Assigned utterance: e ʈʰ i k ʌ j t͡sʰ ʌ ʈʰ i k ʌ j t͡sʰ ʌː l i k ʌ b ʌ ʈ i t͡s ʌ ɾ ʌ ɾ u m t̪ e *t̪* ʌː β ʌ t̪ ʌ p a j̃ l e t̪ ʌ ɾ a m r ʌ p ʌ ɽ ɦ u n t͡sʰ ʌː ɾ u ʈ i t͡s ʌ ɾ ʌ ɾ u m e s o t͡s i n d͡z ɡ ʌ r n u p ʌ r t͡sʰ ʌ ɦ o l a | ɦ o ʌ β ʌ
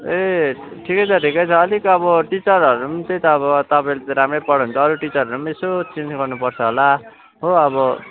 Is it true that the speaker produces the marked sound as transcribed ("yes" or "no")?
yes